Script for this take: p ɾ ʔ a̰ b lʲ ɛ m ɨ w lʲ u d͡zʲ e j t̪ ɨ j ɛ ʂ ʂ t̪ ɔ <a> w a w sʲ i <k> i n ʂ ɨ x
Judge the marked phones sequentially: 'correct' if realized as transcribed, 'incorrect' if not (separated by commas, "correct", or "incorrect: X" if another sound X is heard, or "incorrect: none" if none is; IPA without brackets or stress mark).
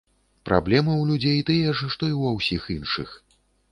incorrect: i, incorrect: x